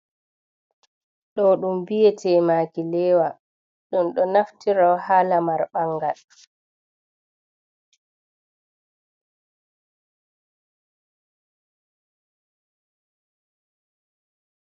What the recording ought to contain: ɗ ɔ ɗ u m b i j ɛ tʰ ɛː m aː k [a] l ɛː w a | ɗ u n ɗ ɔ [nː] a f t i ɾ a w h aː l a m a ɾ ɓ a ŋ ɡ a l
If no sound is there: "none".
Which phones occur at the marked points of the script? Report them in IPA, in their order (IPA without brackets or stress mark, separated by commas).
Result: i, n